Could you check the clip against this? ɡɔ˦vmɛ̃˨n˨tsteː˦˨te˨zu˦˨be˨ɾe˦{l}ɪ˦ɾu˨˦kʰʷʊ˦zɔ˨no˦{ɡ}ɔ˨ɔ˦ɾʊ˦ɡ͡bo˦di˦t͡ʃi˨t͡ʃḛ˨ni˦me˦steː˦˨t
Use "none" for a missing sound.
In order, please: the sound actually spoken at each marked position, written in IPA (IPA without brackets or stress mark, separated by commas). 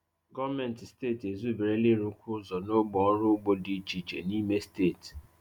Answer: l, ɡ͡b